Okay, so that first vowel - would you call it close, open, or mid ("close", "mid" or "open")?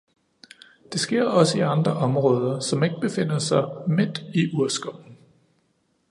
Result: mid